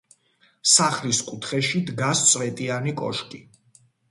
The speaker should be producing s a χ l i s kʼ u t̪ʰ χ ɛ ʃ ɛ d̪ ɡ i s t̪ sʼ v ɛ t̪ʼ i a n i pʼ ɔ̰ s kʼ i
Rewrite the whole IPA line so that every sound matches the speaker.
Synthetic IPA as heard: s a χ l i s kʼ u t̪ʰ χ ɛ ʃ i d̪ ɡ a s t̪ sʼ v ɛ t̪ʼ i a n i kʼ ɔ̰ ʃ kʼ i